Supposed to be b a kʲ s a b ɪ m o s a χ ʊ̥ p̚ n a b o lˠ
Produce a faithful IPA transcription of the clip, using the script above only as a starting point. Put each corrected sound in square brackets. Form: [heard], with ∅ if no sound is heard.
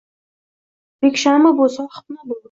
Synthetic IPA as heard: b [e] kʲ [ʃ] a [m] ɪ [b] o s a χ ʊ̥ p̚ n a b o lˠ